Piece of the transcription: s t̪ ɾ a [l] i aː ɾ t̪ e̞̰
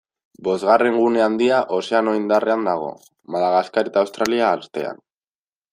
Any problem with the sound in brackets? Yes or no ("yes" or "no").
no